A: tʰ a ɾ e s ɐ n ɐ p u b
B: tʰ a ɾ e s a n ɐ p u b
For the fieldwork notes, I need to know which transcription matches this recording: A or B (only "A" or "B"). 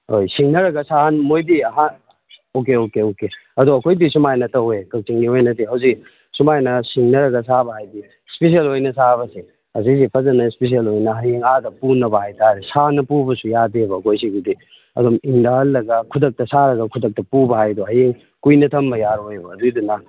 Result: B